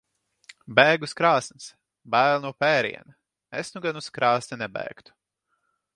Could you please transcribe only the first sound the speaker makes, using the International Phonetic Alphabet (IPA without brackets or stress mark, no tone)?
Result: b